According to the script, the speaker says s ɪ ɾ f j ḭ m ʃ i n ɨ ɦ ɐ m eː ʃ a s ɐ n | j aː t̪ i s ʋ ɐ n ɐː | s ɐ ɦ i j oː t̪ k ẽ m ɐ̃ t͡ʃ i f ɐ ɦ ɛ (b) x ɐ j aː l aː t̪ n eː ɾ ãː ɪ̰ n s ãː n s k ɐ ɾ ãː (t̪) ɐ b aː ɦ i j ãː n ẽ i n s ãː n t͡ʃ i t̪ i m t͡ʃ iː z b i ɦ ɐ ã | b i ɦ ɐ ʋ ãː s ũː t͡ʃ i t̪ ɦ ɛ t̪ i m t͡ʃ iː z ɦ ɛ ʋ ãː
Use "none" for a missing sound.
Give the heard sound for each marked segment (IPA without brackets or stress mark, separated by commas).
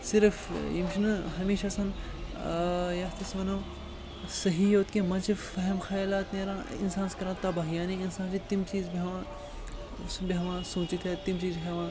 m, t̪